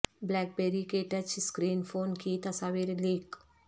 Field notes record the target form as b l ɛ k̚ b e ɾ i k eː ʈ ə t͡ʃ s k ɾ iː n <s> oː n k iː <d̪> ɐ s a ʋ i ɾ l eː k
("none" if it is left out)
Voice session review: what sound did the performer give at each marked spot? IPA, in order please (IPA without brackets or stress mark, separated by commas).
f, t̪